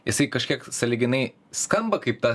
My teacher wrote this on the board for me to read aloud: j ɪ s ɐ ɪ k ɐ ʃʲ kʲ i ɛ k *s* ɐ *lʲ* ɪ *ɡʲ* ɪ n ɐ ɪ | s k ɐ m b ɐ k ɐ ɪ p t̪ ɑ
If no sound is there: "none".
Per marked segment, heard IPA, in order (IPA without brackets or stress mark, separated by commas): s, lʲ, ɡʲ